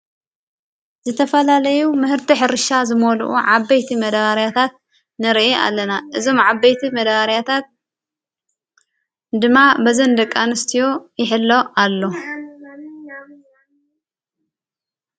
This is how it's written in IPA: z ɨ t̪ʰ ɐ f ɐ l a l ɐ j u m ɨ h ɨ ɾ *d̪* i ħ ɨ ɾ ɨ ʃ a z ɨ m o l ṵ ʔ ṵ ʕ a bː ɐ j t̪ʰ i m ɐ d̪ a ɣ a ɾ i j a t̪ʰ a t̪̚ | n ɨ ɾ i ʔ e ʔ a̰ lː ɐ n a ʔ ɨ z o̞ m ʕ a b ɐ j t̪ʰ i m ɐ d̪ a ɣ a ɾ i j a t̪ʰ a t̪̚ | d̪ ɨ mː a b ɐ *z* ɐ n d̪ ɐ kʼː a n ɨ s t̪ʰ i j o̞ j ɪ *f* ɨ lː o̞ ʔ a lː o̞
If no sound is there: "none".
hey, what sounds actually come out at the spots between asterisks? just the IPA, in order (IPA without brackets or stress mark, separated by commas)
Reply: t̪, z, ħ